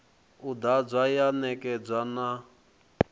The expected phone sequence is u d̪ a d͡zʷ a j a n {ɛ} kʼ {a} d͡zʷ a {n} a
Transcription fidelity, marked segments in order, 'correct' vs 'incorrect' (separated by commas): correct, incorrect, correct